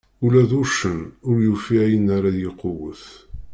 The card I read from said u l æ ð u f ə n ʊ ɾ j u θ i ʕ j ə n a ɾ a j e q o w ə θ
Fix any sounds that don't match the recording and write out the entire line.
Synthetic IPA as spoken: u l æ ð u ʃ ə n ʊ ɾ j u f i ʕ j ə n a ɾ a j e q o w ə θ